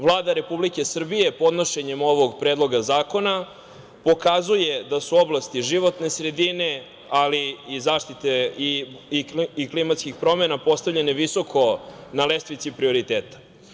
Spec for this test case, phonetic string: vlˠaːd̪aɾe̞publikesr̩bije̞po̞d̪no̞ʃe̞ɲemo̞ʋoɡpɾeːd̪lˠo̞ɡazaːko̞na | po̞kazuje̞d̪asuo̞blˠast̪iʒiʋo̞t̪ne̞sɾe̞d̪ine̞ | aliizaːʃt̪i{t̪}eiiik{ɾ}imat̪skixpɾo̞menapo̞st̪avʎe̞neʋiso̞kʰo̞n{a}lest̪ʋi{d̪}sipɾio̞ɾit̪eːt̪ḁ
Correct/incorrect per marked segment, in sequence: correct, incorrect: l, correct, incorrect: t̪

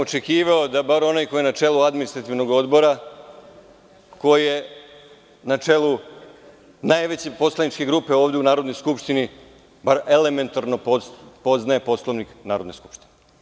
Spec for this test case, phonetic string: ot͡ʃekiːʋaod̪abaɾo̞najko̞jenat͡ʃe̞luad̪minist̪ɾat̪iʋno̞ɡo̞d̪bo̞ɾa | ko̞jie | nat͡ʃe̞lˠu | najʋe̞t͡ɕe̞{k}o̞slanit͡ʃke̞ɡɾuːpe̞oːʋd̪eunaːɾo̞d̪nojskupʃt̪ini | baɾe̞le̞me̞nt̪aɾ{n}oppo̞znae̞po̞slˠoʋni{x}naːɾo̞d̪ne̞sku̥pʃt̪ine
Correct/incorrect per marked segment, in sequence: incorrect: p, correct, incorrect: k

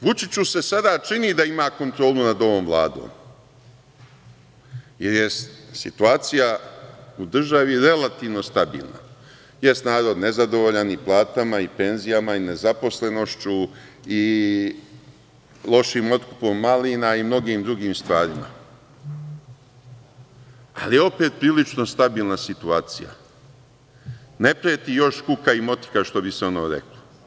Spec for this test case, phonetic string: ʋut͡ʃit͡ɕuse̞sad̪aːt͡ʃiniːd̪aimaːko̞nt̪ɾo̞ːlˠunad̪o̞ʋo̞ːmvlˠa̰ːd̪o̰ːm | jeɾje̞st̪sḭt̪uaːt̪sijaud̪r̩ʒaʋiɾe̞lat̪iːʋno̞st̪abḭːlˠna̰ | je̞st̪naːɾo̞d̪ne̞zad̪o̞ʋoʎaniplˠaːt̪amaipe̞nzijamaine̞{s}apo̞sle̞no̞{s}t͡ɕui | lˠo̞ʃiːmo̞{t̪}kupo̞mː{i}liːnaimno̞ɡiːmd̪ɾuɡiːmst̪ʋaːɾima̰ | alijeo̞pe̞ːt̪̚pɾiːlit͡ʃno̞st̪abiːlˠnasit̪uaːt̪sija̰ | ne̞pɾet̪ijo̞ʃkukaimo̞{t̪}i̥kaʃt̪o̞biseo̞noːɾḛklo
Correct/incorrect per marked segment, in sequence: incorrect: z, incorrect: ʃ, correct, incorrect: a, correct

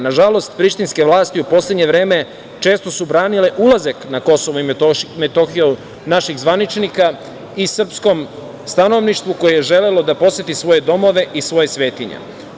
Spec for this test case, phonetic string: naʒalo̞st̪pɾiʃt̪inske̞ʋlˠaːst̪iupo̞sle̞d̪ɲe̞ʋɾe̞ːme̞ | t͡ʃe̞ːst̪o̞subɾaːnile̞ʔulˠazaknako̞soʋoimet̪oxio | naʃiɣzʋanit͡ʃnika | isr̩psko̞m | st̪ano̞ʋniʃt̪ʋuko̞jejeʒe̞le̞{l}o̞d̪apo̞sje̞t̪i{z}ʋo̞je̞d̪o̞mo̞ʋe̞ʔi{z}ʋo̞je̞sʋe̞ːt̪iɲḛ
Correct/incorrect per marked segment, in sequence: correct, incorrect: s, incorrect: s

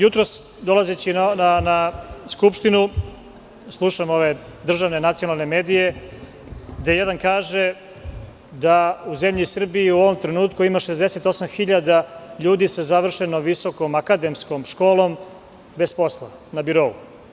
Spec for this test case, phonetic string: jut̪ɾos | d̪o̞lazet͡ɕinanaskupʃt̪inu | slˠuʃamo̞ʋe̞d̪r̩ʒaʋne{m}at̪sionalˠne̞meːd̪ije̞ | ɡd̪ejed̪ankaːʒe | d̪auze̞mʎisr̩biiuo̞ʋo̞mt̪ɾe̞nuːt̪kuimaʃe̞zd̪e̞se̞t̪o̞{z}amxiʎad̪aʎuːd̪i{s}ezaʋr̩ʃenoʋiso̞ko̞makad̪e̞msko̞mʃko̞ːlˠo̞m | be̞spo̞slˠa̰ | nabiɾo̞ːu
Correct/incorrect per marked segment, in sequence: incorrect: n, incorrect: s, correct

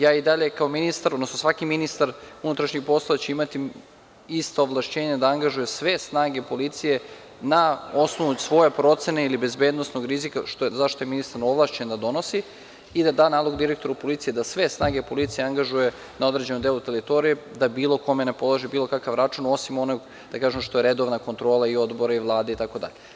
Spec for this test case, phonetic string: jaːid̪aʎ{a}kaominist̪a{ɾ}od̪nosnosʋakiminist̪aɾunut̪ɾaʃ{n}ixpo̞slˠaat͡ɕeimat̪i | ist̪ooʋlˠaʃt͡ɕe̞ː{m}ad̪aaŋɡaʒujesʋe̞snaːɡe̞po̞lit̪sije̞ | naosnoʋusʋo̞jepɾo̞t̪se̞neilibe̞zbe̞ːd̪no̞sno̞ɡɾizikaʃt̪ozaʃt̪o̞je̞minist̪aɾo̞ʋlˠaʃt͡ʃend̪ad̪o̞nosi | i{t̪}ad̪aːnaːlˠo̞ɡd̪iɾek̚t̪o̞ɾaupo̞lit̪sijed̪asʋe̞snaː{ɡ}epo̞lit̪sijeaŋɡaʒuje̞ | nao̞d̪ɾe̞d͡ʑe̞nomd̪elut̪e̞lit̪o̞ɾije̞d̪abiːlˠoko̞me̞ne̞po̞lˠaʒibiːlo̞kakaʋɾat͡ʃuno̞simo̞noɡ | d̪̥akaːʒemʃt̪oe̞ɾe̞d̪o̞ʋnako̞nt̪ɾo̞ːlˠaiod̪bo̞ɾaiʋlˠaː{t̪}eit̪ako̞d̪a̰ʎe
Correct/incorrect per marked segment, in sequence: incorrect: e, correct, incorrect: ɲ, incorrect: ɲ, incorrect: d̪, correct, incorrect: d̪

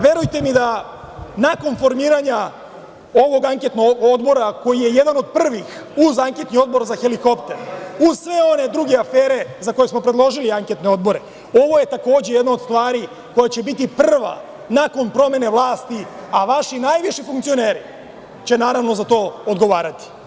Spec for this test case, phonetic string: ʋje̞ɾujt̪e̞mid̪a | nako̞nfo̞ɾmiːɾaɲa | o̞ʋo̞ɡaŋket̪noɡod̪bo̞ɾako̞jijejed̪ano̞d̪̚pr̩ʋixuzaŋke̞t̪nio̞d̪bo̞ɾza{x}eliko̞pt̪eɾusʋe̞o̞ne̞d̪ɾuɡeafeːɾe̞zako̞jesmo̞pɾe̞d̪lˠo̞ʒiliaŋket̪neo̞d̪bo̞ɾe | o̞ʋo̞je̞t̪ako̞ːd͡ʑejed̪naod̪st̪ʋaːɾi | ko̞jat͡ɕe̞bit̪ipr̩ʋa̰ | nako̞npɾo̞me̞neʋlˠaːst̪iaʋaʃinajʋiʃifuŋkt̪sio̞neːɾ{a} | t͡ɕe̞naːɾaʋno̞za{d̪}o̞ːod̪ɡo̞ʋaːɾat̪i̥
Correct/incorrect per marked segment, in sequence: correct, incorrect: i, incorrect: t̪

